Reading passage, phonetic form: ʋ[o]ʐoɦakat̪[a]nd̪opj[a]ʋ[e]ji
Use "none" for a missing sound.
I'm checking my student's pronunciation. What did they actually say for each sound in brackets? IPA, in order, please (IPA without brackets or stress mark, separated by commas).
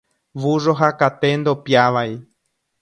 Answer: u, e, a, a